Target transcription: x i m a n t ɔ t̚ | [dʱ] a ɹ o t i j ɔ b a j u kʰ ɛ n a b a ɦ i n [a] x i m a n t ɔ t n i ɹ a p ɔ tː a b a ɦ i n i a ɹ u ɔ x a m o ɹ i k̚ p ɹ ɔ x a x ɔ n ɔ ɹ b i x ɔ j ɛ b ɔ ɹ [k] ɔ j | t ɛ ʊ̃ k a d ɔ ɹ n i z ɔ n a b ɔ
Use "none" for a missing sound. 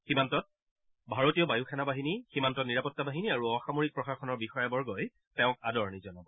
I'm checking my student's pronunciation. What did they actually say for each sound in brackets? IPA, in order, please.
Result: bʱ, i, ɡ

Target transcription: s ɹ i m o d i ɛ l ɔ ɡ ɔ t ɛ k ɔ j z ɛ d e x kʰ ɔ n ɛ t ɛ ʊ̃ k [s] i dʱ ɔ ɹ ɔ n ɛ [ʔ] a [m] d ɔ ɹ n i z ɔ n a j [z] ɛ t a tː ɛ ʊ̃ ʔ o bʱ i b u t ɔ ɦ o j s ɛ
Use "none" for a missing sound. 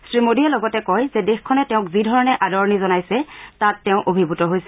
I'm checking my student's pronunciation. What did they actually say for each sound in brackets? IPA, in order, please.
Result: z, ʔ, none, s

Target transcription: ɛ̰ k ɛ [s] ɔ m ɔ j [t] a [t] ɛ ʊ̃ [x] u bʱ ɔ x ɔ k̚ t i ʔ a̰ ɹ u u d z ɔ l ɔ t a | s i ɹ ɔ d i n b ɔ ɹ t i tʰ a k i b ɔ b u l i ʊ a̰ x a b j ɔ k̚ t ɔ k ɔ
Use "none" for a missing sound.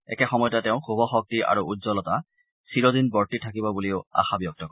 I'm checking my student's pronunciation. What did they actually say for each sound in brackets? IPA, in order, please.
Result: x, t, t, x

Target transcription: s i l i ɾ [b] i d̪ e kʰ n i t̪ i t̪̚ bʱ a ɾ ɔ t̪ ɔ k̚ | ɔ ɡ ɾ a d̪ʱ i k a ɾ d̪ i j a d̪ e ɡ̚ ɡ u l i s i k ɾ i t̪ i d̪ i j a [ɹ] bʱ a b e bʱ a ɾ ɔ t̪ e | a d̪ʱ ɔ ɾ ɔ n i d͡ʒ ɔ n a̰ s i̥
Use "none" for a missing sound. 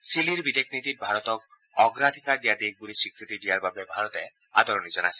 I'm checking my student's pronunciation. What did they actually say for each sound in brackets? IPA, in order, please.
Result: b, ɾ

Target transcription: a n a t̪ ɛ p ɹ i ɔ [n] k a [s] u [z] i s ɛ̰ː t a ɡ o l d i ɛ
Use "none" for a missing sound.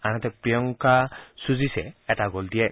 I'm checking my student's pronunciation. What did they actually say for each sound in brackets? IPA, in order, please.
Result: ŋ, s, z

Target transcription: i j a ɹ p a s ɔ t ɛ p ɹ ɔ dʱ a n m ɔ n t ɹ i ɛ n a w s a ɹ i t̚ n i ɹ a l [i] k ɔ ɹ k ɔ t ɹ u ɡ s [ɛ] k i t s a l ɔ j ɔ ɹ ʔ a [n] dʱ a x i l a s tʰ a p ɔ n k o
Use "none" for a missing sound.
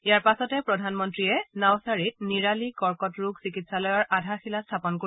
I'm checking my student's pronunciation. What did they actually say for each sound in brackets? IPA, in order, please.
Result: i, i, none

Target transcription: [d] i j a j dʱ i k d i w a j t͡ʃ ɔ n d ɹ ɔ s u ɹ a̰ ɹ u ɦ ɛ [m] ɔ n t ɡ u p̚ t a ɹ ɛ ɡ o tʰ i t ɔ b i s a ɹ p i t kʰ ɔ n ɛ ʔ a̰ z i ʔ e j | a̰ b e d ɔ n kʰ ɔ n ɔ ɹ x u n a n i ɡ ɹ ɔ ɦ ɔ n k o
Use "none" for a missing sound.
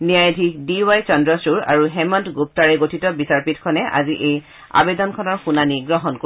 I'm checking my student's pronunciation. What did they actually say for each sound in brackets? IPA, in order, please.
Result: n, m

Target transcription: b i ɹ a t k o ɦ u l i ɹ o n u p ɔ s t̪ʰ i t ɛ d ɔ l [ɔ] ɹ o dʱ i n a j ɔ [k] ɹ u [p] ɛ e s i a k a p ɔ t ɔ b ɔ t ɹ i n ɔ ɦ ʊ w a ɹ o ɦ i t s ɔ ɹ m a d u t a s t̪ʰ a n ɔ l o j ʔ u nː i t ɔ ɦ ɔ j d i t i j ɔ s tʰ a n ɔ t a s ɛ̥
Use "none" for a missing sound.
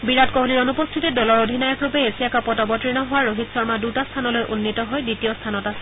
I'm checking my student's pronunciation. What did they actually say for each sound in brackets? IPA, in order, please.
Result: ɔ, k, p

